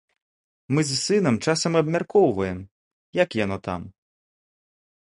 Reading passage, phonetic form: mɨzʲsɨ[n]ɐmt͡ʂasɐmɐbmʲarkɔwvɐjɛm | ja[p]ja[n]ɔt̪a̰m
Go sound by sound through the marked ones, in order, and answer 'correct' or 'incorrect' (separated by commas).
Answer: correct, incorrect, correct